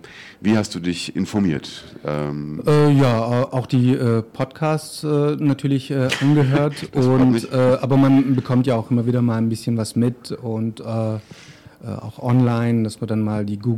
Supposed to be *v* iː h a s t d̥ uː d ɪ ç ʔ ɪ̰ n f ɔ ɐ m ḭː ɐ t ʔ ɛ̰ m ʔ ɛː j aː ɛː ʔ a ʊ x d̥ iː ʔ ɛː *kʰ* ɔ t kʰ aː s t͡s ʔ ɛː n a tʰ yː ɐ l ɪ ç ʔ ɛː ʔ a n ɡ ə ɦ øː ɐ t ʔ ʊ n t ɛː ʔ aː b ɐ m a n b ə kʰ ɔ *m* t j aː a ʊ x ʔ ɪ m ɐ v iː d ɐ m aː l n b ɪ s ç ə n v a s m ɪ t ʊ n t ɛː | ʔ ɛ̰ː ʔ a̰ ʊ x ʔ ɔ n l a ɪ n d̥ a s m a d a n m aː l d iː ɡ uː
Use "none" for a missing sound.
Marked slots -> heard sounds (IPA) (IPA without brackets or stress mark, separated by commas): v, pʰ, m